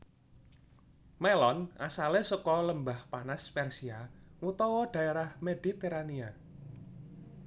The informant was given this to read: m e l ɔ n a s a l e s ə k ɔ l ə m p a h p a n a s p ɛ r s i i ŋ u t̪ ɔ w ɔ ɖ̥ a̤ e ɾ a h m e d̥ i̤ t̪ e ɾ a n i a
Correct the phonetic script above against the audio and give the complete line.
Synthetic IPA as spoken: m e l ɔ n a s a l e s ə k ɔ l ə m b a h p a n a s p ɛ r s i a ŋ u t̪ ɔ w ɔ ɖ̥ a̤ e ɾ a h m e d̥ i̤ t̪ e ɾ a n i a